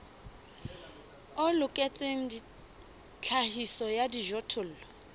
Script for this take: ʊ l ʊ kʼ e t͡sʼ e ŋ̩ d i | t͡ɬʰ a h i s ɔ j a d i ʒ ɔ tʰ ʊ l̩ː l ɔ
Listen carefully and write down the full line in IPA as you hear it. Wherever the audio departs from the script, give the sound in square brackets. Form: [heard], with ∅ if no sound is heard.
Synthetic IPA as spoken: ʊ l ʊ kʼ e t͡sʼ e ŋ̩ d i | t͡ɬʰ a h i s ɔ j a d i ʒ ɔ tʰ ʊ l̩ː l ɔ